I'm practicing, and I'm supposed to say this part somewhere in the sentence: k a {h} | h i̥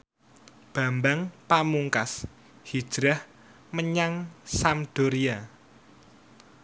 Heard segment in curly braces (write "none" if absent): s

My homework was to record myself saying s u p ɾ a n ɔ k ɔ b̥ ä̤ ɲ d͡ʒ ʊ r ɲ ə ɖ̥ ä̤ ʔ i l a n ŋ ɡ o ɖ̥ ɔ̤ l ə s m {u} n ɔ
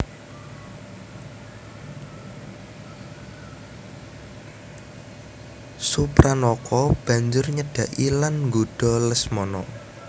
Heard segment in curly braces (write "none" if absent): ɔ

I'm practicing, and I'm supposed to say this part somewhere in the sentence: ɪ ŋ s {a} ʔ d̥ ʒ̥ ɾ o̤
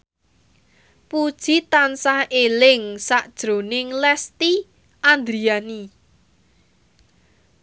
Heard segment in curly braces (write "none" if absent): a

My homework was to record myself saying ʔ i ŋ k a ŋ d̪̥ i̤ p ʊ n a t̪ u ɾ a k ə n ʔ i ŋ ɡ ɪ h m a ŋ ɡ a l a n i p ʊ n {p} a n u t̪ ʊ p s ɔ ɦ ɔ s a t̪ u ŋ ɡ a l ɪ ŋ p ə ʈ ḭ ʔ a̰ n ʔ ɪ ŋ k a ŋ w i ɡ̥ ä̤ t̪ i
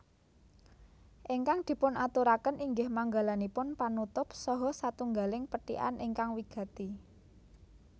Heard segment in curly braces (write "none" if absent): p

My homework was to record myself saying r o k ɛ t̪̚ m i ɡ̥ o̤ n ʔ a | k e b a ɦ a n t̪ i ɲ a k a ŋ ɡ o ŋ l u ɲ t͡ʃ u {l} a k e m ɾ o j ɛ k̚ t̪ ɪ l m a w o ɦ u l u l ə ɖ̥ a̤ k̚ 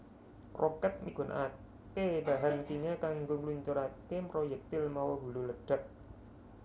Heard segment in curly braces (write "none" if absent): ɾ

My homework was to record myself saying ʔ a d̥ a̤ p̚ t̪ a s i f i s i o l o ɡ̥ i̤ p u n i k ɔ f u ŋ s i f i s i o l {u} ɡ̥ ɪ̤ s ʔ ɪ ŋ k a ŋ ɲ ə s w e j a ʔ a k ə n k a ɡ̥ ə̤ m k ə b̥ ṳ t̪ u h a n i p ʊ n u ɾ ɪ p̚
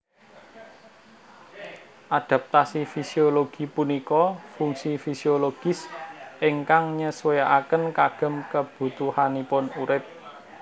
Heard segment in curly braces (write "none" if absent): o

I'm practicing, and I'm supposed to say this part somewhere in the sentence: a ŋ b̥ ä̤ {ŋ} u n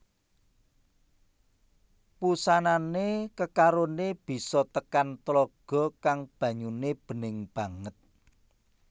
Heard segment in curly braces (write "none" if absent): ɲ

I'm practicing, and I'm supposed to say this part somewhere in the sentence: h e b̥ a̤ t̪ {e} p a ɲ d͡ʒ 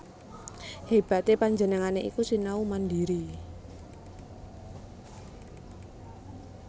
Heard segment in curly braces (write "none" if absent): e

